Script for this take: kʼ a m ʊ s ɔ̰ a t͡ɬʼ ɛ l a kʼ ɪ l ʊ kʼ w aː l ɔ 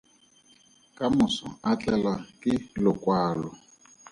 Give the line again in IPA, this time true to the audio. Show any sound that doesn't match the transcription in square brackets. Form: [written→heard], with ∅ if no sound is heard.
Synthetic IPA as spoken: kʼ a m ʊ s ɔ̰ a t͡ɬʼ ɛ l a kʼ ɪ l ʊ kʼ w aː l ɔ

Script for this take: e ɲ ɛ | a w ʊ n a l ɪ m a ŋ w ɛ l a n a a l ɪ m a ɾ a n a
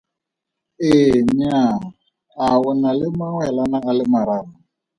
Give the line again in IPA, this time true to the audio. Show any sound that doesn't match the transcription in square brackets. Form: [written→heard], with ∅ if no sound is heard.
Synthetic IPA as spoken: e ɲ [ɛ→a] | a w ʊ n a l ɪ m a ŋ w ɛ l a n a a l ɪ m a ɾ a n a

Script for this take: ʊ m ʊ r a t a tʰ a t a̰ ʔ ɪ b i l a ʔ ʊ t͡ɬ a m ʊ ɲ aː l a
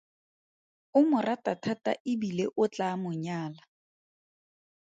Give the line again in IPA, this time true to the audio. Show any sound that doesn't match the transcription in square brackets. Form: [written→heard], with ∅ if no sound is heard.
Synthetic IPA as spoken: ʊ m ʊ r a t a tʰ a t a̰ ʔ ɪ b i l [a→e] ʔ ʊ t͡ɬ a m ʊ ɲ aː l a

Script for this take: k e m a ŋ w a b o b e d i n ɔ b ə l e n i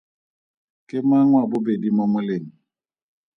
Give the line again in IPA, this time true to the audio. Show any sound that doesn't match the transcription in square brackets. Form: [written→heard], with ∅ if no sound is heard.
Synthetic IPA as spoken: k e m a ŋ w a b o b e d i [n→m] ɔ [b→m] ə l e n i

